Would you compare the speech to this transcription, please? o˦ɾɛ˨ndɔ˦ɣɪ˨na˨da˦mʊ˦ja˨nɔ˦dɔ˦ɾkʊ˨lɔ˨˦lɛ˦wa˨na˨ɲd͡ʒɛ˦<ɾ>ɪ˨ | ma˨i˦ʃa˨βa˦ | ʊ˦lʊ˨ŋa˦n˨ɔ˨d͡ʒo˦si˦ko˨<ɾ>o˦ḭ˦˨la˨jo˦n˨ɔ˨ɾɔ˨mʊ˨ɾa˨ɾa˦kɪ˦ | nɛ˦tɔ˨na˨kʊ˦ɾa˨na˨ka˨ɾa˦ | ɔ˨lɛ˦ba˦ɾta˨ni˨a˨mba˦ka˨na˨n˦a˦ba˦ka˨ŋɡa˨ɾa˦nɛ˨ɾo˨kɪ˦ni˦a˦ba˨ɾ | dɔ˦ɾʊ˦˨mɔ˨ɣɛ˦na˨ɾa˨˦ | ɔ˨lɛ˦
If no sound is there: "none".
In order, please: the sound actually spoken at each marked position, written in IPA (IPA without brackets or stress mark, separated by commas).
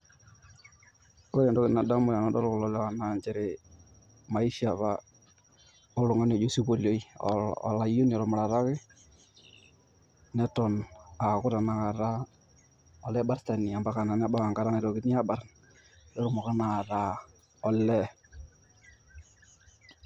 ɾ, l